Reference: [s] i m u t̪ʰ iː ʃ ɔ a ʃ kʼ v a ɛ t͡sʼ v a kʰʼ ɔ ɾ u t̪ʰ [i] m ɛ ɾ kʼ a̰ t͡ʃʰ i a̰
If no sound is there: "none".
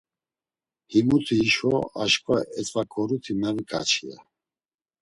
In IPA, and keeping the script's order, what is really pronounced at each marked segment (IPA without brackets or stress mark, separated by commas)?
h, i